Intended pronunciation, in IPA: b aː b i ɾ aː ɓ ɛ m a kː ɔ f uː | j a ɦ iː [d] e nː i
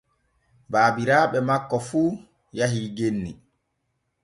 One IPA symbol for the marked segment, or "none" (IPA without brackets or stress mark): ɡ